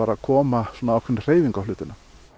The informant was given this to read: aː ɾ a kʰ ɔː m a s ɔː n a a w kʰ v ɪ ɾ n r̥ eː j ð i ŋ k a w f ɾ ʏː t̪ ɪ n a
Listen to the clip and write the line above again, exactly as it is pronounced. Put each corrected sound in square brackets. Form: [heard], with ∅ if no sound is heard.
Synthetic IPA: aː ɾ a kʰ ɔː m a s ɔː n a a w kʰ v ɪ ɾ n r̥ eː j [v] i ŋ k a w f [l] ʏː t̪ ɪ n a